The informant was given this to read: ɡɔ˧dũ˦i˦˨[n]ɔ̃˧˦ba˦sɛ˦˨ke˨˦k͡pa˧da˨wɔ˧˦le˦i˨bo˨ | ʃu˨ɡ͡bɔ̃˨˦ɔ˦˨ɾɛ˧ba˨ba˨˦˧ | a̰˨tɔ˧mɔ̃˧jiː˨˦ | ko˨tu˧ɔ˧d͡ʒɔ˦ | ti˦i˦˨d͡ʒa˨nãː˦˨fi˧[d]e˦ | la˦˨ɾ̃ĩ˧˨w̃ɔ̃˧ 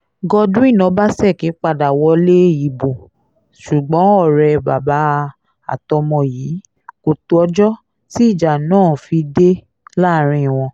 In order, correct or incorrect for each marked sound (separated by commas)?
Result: correct, correct